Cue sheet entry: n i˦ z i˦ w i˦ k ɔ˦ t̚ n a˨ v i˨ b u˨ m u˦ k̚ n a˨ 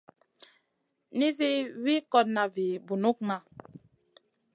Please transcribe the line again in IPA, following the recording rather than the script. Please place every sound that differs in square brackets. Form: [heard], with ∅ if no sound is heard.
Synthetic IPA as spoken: n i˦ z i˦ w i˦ k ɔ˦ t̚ n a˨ v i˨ b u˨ [n] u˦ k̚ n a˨